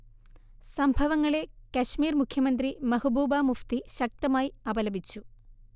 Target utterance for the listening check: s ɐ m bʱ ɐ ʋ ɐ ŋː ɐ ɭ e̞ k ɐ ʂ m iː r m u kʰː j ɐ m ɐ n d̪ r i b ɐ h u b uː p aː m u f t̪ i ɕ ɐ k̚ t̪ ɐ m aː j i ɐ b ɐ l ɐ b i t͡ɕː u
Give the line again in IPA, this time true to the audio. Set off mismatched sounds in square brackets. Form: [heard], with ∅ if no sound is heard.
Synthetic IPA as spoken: s ɐ m bʱ ɐ ʋ ɐ ŋː ɐ ɭ e̞ k ɐ [ɕ] m iː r m u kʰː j ɐ m ɐ n d̪ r i [m] ɐ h u b uː [b] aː m u f t̪ i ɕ ɐ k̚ t̪ ɐ m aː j i ɐ b ɐ l ɐ b i t͡ɕː u